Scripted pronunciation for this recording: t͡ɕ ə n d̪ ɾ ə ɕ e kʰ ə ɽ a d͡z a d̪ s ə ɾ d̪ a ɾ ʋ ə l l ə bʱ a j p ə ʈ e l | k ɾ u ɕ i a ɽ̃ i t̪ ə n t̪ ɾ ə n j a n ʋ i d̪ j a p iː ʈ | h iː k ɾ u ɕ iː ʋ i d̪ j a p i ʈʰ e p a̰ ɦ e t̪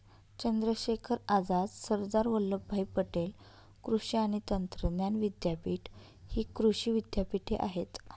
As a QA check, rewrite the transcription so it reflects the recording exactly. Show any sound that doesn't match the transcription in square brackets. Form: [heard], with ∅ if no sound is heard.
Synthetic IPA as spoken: t͡ɕ ə n d̪ ɾ ə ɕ e kʰ ə [ɾ] a d͡z a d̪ s ə ɾ d̪ a ɾ ʋ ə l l ə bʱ a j p ə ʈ e l | k ɾ u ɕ i a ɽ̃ i t̪ ə n t̪ ɾ ə n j a n ʋ i d̪ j a p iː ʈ | h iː k ɾ u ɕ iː ʋ i d̪ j a p i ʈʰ e [ʔ] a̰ ɦ e t̪